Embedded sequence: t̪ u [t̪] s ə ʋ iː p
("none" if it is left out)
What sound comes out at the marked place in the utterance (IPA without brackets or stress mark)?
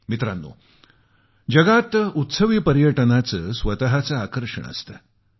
t̪